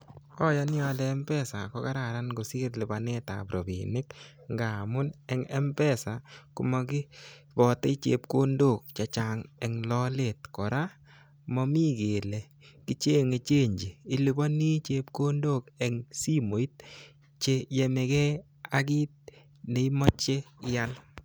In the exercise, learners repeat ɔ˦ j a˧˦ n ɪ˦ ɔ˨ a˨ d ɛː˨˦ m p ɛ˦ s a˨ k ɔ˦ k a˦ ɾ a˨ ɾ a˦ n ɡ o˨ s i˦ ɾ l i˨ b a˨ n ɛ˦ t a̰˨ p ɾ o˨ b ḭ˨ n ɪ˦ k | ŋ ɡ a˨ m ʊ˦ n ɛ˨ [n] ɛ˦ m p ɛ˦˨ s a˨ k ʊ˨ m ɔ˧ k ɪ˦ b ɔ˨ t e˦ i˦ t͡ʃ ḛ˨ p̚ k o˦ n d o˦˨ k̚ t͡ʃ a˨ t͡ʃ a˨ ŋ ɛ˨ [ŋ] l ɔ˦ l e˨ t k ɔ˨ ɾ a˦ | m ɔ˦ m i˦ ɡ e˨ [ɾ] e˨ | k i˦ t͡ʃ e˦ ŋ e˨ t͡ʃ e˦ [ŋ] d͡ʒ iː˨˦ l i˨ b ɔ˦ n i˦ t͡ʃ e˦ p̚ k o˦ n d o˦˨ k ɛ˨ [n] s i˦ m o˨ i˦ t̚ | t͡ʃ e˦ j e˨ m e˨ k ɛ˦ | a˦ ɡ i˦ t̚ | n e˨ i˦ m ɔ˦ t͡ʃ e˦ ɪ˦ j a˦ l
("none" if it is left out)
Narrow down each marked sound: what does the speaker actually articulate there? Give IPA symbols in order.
ŋ, ŋ, l, ɲ, ŋ

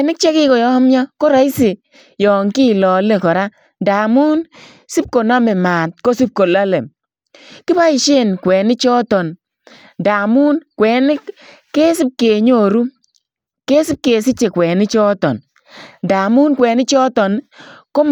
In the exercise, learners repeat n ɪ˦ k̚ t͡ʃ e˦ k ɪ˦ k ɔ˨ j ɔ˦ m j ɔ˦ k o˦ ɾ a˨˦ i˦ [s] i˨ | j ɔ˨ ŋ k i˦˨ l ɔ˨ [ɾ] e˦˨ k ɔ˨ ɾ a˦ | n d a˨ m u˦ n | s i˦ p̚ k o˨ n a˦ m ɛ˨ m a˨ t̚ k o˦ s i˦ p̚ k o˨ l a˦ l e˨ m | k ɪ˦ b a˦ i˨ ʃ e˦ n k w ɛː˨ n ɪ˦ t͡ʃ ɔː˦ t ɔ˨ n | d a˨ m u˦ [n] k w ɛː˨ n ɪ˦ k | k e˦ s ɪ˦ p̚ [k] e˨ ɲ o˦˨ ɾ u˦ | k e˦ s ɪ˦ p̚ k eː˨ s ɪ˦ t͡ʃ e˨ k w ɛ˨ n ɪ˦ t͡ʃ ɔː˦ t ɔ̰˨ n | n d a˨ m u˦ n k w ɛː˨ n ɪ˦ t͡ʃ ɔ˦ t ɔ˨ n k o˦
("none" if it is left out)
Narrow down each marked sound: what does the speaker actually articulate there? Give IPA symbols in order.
s, l, n, k

